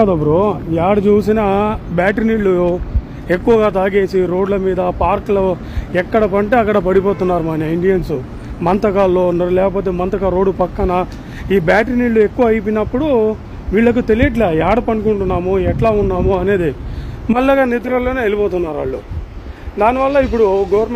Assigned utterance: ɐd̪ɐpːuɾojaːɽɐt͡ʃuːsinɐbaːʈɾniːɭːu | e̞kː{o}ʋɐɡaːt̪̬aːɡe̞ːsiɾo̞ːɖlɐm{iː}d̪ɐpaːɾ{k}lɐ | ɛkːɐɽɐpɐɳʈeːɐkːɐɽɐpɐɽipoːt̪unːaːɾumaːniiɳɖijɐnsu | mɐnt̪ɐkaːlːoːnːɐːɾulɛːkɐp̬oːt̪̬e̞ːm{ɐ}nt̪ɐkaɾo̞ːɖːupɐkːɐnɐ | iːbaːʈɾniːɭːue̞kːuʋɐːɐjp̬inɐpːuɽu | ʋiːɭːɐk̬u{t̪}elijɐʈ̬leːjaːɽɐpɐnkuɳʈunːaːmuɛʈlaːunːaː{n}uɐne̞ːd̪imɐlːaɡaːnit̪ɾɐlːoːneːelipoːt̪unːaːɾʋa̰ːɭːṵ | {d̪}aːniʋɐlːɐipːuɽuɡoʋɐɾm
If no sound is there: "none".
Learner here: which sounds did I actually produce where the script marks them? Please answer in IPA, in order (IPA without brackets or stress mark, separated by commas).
u, iː, k, ɐ, t̪, m, d̪